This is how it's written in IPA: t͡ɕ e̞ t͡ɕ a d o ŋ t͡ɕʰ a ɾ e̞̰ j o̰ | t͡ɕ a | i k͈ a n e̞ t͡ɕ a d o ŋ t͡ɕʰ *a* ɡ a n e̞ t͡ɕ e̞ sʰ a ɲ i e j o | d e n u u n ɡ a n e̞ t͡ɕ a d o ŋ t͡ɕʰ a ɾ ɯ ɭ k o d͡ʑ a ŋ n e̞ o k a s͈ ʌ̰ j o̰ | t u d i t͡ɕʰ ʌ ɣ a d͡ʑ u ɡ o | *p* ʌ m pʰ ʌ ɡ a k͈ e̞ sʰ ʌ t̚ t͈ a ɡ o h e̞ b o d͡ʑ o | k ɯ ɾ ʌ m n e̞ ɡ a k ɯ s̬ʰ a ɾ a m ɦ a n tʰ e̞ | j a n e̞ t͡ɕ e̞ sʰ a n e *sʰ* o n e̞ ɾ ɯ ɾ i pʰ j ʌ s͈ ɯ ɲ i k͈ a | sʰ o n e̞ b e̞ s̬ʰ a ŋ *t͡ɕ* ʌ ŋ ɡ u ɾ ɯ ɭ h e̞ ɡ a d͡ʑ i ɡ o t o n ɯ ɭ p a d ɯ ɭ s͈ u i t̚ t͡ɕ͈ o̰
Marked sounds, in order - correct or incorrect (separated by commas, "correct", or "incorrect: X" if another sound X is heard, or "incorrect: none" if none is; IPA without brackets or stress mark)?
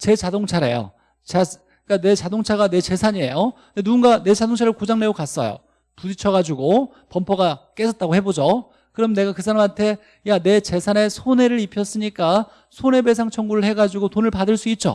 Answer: correct, correct, correct, incorrect: t͡ɕʰ